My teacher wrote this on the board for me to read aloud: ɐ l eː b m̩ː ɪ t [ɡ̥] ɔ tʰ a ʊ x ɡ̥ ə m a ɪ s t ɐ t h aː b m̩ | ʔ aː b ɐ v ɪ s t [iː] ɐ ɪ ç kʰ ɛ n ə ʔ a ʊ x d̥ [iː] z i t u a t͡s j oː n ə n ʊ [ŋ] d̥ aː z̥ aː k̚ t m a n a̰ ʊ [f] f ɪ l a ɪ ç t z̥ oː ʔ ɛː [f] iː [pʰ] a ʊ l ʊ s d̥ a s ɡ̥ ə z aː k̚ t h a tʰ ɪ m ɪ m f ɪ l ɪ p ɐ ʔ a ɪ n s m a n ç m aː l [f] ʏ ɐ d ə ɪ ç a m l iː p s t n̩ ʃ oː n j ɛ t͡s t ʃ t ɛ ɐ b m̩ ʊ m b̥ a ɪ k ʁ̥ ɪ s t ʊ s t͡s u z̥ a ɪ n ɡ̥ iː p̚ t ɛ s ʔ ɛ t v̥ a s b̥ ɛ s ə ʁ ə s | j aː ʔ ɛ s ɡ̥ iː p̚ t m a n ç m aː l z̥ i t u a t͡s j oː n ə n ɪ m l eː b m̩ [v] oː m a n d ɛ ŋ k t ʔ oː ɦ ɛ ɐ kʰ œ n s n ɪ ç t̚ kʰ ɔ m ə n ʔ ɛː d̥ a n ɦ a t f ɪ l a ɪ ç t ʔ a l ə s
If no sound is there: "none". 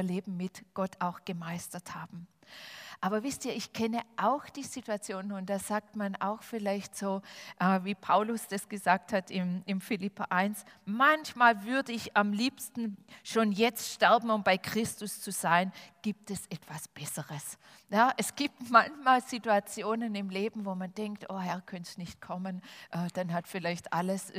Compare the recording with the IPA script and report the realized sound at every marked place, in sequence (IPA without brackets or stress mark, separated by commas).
ɡ̥, iː, iː, n, x, v, pʰ, v, v